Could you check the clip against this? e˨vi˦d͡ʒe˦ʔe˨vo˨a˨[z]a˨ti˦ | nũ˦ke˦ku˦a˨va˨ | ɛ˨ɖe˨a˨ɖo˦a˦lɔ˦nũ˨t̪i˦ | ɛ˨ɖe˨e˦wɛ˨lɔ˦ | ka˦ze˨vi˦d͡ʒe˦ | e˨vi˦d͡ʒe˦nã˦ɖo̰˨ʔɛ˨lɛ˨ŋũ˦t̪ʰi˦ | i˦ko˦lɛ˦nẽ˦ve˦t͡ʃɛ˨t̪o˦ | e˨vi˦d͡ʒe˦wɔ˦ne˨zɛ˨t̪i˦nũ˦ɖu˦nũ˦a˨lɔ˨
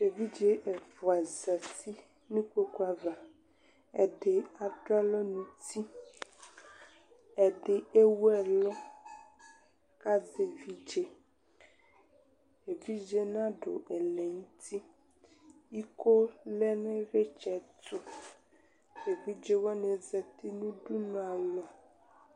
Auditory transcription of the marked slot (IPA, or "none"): z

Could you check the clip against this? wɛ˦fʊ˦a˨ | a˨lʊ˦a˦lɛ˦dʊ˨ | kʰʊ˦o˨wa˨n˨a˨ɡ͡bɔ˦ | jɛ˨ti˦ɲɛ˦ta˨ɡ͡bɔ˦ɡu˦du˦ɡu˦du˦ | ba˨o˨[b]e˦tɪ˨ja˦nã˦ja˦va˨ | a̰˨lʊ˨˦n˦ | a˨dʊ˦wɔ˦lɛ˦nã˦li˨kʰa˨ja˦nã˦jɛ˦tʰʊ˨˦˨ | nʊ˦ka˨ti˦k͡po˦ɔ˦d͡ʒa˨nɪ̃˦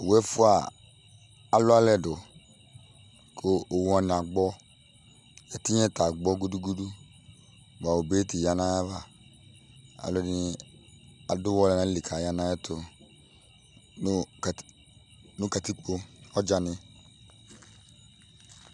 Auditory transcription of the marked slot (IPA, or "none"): b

